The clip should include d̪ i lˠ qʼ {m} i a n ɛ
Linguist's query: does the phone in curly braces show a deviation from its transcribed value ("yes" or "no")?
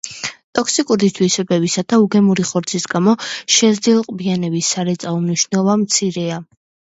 yes